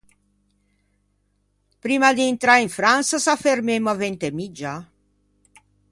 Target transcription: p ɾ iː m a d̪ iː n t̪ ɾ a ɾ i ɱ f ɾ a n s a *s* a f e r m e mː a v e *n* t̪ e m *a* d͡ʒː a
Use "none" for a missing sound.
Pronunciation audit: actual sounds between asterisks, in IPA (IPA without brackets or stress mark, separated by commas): s, n, i